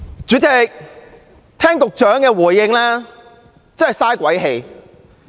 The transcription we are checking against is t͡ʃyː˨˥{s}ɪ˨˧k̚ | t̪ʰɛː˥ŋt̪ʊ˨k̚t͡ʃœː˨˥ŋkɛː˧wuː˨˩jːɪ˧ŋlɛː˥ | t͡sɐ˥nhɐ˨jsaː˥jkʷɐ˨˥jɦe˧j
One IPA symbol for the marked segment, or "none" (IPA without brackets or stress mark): t͡s